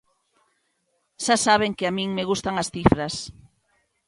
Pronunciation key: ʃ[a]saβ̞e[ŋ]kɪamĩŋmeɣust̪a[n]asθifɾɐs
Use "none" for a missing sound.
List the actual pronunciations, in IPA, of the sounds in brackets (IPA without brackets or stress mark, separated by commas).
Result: a, ŋ, ŋ